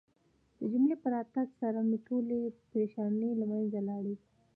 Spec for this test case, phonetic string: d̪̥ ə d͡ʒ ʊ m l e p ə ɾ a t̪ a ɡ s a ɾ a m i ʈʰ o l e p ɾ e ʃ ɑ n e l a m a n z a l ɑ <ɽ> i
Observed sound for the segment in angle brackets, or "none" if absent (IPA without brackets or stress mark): ɽ